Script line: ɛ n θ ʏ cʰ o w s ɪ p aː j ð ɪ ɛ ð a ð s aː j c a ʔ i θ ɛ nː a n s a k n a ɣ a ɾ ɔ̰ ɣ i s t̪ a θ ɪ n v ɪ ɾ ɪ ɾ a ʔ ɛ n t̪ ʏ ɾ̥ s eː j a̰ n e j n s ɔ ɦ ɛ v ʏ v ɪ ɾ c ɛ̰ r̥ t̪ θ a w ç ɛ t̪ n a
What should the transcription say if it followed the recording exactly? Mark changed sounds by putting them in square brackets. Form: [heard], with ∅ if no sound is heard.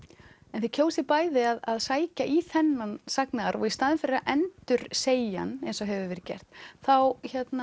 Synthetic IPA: ɛ n θ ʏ cʰ o w s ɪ p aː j ð ɪ [a] ð a ð s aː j c a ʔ i θ ɛ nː a n s a k n a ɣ a ɾ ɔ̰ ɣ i s t̪ a [ð] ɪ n [f] ɪ ɾ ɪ ɾ a ʔ ɛ n t̪ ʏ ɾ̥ s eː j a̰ n e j n s ɔ ɦ ɛ v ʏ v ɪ ɾ c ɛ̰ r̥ t̪ θ a w ç ɛ t̪ n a